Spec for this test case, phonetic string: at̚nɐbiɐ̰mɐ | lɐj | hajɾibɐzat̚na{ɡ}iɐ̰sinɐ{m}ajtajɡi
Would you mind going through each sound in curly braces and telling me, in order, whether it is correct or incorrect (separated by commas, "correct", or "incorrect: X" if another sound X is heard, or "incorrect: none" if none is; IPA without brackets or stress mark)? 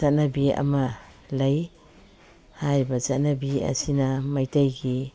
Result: incorrect: b, correct